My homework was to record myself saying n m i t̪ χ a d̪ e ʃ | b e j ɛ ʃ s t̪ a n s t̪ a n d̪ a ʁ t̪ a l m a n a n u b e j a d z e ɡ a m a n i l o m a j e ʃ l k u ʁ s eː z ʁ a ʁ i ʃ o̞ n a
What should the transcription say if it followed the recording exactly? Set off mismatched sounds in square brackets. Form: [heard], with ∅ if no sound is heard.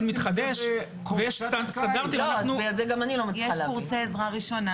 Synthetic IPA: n m i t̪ χ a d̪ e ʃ | [v] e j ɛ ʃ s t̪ a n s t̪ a n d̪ a ʁ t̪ [i] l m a n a n u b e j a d z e ɡ a m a n i l o m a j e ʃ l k u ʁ s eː z ʁ a ʁ i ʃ o̞ n a

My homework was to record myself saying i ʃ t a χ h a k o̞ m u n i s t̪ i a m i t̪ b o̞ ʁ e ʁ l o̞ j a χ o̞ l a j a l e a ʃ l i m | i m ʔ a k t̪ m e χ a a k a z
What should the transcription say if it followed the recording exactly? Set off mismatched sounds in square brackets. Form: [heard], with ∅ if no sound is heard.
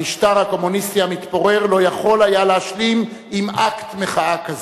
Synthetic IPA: i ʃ t a [ʁ] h a k o̞ m u n i s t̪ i a m i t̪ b o̞ ʁ e ʁ l o̞ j a χ o̞ l a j a l e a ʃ l i m | i m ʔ a k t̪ m e χ a a k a z

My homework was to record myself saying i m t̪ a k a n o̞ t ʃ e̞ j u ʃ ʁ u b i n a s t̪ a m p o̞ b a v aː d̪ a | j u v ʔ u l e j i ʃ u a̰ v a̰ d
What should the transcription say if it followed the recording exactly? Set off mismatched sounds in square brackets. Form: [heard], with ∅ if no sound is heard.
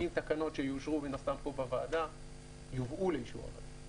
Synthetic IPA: i m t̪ a k a n o̞ t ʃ e̞ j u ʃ ʁ u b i n a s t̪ a m p o̞ b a v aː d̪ a | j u v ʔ u l e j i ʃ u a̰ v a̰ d

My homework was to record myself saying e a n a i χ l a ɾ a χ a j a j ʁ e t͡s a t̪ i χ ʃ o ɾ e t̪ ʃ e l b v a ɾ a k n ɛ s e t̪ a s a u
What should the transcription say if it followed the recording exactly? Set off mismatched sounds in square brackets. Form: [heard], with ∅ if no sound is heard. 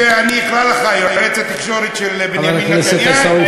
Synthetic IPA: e a n [i] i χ l a [l] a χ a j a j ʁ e t͡s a t̪ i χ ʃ o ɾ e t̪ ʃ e l b v a [l] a k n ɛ s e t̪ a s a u

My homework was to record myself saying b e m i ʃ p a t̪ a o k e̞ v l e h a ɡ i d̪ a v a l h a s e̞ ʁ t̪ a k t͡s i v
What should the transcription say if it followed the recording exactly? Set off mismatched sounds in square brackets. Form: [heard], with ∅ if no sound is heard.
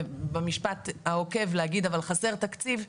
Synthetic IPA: b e m i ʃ p a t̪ a o k e̞ v l e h a ɡ i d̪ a v a l [χ] a s e̞ ʁ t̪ a k t͡s i v

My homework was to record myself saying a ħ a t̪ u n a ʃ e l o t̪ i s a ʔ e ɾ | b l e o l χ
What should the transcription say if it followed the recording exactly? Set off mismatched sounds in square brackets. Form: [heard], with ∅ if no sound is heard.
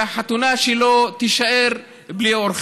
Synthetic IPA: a ħ a t̪ u n a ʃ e l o t̪ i [ʃ] a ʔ e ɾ | b l [i] o [ɾ] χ

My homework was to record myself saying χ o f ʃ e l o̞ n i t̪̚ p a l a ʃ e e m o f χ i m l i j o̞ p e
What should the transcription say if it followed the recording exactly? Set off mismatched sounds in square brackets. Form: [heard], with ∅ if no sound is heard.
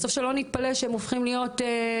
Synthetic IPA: [s] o f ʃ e l o̞ n i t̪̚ p a l [e] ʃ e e m o f χ i m l i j o̞ [t] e

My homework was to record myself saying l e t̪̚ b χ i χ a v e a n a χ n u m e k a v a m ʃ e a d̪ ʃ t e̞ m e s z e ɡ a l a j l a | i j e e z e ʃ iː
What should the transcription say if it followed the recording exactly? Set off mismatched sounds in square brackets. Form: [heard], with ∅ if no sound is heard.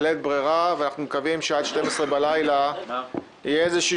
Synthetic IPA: l e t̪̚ b [ʁ] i [ʁ] a v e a n a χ n u m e k a v [i] m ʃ e a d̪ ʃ t e̞ m e s [ʁ] e [b] a l a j l a | i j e e z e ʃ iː

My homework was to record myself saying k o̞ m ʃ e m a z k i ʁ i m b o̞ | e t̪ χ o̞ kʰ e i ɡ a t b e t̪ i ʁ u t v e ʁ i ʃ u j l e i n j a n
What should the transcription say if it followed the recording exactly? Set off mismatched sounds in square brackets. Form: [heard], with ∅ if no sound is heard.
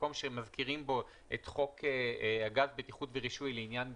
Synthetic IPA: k o̞ m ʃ e m a z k i ʁ i m b o̞ | e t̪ χ o̞ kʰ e [a] ɡ a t b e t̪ i [χ] u t v e ʁ i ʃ u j l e i n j a n

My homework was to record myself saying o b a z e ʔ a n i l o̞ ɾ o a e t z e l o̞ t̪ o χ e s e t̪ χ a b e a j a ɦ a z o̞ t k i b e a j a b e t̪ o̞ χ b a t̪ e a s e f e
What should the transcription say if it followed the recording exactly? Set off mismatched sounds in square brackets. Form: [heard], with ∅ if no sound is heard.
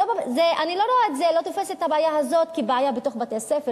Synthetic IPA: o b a z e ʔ a n i l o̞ ɾ o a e t z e l o̞ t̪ o [f] e s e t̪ [h] a b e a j a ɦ a z o̞ t k i b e a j a b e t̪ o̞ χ b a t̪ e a s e f e

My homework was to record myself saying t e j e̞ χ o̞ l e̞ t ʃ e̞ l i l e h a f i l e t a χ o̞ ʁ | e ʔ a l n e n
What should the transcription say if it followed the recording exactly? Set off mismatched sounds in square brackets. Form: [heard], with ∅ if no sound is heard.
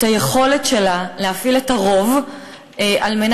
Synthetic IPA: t [a] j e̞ χ o̞ l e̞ t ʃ e̞ l [a] l e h a f i l e t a [ʁ] o̞ [v] | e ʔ a l [m] e n

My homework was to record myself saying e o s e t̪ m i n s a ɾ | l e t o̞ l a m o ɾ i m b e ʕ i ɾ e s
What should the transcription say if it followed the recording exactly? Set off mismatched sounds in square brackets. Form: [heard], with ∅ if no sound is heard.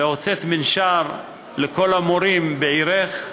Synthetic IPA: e o [t͡s] e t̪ m i n [ʃ] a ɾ | l e [k] o̞ l a m o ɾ i m b e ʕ i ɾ e [χ]

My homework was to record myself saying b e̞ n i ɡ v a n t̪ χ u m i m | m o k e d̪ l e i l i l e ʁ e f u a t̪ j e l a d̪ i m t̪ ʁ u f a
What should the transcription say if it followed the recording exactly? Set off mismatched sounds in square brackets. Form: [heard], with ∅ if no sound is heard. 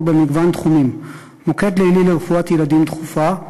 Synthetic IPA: b e̞ [m] i ɡ v a n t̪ χ u m i m | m o k e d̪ l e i l i l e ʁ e f u a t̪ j e l a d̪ i m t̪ [χ] u f a

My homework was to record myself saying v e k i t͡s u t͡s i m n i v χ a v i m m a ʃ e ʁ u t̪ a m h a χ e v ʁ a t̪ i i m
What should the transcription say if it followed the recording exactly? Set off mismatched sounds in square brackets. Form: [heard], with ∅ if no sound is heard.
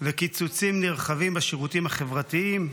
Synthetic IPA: v e k i t͡s u t͡s i m n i [ʁ] χ a v i m [b] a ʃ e ʁ u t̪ [i] m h a χ e v ʁ a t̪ i i m

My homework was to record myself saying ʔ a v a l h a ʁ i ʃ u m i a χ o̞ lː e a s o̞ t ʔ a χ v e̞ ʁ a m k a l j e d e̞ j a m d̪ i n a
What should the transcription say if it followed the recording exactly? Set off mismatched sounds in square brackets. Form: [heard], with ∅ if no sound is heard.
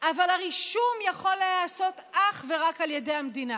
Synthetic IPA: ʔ a v a l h a ʁ i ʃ u m [j] a χ o̞ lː e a s o̞ t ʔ a χ v e̞ ʁ a [∅] k a l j e d e̞ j a m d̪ i n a

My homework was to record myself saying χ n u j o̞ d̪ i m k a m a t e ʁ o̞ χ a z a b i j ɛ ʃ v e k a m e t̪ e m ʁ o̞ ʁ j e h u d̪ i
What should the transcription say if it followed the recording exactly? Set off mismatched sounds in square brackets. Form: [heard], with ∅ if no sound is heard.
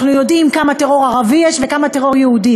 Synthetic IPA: χ n u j o̞ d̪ i m k a m a t e ʁ o̞ [ʁ] a [ʁ] a [v] i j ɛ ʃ v e k a m [a] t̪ e [∅] ʁ o̞ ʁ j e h u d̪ i

